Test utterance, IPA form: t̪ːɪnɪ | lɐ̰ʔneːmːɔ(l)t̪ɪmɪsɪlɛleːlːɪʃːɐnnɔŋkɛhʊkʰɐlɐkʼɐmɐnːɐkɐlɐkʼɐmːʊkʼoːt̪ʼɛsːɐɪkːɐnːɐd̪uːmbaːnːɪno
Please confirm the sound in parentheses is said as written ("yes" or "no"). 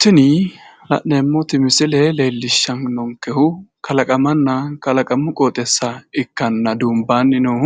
no